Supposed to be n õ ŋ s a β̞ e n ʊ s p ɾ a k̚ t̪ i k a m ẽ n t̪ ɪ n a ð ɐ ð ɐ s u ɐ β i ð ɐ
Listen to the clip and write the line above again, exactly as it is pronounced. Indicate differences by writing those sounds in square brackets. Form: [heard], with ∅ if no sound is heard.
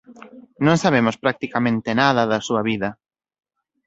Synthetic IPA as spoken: n õ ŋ s a β̞ e [m] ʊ s p ɾ a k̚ t̪ i k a m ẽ n t̪ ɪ n a ð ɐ ð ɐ s u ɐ β i ð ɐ

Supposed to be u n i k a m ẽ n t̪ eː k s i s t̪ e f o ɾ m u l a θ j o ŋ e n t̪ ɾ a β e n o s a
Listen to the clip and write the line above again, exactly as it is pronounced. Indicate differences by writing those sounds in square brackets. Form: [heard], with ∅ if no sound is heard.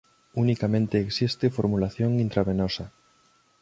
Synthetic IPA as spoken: u n i k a m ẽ n t̪ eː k s i s t̪ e f o ɾ m u l a θ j o ŋ [i] n t̪ ɾ a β e n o s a

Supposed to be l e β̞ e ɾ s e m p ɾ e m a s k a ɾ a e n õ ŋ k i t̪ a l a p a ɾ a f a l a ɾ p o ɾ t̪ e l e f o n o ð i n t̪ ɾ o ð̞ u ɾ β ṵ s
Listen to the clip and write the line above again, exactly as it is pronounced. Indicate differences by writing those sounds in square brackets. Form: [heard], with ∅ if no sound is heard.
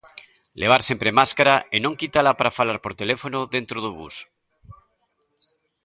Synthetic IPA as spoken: l e β̞ [a] ɾ s e m p ɾ e m a s k a ɾ a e n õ ŋ k i t̪ a l a p a ɾ a f a l a ɾ p o ɾ t̪ e l e f o n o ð [e] n t̪ ɾ o ð̞ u [∅] β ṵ s

